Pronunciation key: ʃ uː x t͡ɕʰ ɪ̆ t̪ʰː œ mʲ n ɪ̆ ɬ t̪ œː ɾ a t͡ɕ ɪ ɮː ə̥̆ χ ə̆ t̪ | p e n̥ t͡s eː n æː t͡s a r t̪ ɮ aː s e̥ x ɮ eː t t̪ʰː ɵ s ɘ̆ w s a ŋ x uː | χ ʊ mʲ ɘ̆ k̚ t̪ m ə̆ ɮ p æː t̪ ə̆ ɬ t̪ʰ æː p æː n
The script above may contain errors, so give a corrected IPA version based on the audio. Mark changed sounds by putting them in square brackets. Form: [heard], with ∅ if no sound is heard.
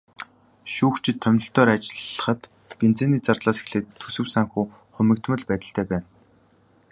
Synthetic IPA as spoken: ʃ uː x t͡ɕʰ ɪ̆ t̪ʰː œ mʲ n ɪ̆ ɬ t̪ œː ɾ a t͡ɕ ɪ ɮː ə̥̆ χ ə̆ t̪ | p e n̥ t͡s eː n [iː] t͡s a r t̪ ɮ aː s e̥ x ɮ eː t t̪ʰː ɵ s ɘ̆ w s a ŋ x uː | χ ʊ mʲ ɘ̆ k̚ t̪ m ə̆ ɮ p æː t̪ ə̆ ɬ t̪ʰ æː p æː n